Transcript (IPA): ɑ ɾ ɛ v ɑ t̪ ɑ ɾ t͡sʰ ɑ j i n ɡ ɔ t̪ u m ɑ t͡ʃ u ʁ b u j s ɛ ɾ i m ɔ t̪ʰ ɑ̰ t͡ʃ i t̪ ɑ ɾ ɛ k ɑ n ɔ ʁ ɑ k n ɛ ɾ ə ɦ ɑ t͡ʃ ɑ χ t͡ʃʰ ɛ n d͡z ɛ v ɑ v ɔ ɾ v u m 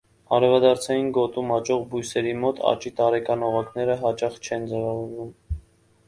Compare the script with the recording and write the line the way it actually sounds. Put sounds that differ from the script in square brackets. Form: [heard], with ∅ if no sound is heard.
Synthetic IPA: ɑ ɾ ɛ v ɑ [d̪] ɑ ɾ t͡sʰ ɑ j i n ɡ ɔ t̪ u m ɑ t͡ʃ [ɔ] ʁ b u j s ɛ ɾ i m ɔ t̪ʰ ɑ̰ t͡ʃ i t̪ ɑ ɾ ɛ k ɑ n ɔ ʁ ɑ k n ɛ ɾ ə ɦ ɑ t͡ʃ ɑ χ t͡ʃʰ ɛ n d͡z ɛ v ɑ v ɔ ɾ v u m